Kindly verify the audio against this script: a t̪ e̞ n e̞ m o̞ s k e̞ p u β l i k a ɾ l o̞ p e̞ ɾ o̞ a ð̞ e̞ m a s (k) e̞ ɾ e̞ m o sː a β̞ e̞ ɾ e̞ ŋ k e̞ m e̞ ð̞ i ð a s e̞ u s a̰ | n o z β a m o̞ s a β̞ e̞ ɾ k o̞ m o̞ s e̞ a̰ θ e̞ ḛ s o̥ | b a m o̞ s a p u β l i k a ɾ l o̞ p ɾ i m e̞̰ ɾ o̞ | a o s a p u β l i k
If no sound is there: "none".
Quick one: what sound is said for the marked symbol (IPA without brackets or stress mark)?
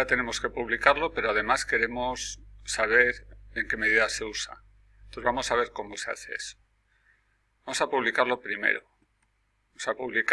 k